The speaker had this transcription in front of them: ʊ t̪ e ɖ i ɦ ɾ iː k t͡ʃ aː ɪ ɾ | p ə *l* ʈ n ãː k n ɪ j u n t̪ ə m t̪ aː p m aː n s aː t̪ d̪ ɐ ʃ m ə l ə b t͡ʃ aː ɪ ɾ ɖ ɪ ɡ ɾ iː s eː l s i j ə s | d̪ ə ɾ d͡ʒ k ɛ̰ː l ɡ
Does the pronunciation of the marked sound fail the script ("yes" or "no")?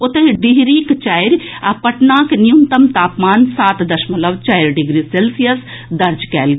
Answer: yes